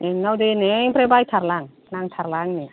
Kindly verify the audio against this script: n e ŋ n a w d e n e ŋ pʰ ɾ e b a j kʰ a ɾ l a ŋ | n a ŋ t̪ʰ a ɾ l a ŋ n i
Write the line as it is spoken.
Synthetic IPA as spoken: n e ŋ n a w d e n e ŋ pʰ ɾ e b a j tʰ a ɾ l a ŋ | n a ŋ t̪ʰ a ɾ l a ŋ n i